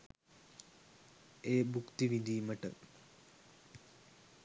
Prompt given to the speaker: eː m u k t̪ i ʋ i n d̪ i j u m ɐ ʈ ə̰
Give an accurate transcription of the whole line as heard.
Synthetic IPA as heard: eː b u k t̪ i ʋ i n d̪ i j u m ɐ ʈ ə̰